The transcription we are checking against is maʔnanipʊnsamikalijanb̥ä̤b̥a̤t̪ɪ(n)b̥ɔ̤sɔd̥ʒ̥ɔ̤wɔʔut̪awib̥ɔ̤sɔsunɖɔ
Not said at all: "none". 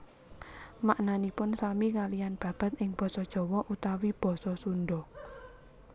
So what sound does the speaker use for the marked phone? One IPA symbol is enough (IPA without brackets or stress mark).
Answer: ŋ